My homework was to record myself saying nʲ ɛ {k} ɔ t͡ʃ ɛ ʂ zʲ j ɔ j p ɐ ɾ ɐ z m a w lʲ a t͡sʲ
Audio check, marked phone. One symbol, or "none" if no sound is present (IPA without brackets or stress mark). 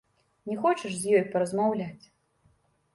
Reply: x